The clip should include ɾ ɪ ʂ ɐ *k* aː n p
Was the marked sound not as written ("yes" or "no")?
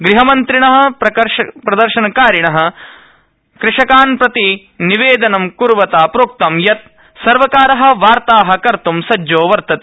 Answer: no